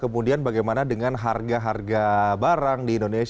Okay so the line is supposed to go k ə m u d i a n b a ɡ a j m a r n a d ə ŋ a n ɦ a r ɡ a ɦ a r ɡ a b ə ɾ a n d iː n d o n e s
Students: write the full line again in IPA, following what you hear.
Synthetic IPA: k ə m u d i a n b a ɡ a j m a n a d ə ŋ a n ɦ a r ɡ a ɦ a r ɡ a b a ɾ a ŋ d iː n d o n e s